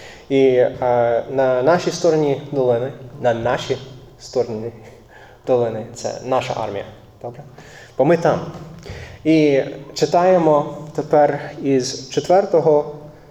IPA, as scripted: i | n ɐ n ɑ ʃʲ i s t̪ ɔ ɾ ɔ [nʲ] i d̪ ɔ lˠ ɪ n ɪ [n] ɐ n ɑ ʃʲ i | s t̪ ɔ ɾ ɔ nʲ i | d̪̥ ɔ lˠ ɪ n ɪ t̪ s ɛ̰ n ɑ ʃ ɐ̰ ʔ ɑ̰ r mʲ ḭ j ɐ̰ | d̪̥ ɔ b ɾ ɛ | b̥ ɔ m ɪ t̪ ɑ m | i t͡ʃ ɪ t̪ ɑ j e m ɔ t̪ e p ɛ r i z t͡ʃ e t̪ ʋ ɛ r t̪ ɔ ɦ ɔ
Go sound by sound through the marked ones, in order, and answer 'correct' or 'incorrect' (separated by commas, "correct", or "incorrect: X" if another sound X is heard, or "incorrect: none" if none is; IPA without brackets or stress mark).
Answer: correct, correct